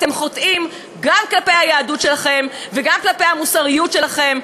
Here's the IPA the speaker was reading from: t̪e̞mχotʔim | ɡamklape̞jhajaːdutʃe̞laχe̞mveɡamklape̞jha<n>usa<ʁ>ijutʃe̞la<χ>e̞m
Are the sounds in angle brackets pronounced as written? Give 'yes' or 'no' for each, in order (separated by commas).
no, yes, yes